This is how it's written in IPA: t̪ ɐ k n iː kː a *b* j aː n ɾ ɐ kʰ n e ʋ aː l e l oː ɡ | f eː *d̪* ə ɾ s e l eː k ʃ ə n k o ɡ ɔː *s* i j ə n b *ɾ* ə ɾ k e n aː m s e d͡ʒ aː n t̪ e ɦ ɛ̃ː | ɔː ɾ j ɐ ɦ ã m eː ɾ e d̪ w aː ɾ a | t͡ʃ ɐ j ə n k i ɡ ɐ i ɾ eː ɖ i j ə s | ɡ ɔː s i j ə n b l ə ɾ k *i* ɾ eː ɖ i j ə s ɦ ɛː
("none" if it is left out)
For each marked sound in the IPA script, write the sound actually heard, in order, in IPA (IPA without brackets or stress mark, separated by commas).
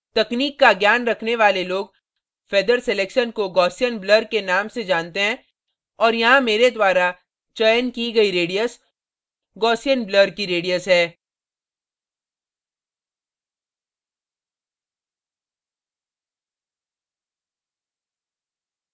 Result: ɡ, d̪, s, l, i